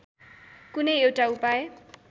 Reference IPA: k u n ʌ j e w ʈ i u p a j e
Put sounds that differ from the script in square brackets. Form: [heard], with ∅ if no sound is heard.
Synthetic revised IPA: k u n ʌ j e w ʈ [a] u p a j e